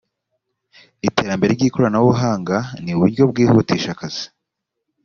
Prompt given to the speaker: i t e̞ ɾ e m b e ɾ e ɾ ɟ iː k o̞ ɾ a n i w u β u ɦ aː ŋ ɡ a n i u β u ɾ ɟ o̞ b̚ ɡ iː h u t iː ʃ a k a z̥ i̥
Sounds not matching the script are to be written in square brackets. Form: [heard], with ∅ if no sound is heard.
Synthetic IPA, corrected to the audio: i t e̞ ɾ [a] m b e ɾ e ɾ ɟ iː k o̞ ɾ a n [a] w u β u ɦ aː ŋ ɡ a n i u β u ɾ ɟ o̞ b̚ ɡ iː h u t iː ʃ a k a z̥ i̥